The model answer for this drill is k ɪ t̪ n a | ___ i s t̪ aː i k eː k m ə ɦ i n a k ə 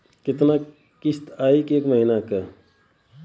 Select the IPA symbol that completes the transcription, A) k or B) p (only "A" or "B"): A